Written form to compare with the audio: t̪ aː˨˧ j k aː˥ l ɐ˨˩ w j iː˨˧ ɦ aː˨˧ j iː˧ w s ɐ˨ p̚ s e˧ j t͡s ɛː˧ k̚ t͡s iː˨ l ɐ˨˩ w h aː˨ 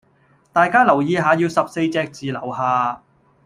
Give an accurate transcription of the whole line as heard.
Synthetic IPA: t̪ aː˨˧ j k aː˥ l ɐ˨˩ w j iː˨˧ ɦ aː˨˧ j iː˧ w s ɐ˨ p̚ s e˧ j t͡s ɛː˧ k̚ t͡s iː˨ l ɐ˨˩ w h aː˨